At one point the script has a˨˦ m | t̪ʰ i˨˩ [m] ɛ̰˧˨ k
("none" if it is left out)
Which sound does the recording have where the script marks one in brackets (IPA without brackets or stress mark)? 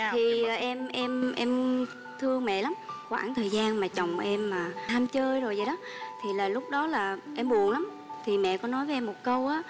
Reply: m